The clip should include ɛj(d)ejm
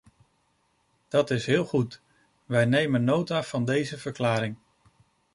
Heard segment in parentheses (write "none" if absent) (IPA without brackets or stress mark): n